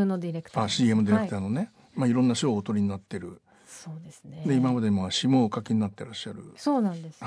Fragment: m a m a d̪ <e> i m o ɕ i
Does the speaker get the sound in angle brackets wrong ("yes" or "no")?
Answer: no